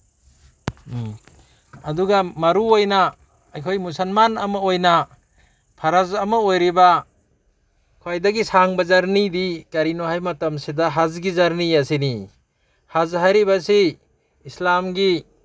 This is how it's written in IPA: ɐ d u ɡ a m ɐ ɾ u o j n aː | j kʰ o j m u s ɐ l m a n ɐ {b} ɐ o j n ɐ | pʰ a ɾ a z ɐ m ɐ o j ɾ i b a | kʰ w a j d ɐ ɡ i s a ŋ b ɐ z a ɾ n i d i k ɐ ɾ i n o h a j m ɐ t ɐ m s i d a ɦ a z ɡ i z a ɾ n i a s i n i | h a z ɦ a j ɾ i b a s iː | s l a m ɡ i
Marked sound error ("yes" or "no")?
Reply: yes